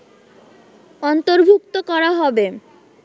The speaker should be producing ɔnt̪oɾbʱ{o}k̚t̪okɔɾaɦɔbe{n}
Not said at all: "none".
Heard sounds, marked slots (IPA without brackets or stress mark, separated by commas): u, none